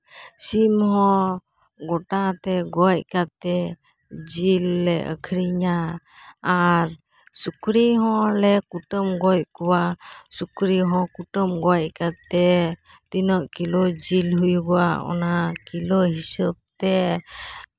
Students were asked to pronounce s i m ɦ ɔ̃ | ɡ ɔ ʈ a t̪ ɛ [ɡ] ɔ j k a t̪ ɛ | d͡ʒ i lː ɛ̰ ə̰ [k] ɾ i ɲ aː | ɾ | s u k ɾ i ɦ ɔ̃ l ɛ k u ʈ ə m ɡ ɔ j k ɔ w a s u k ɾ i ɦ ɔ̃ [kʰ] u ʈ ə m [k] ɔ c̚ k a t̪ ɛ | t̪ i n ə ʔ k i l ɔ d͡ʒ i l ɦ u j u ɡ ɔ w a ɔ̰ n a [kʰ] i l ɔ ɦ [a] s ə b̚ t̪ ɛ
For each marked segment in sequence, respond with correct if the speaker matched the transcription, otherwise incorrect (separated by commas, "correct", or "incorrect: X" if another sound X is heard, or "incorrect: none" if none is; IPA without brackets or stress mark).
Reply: correct, incorrect: kʰ, incorrect: k, incorrect: ɡ, incorrect: k, incorrect: i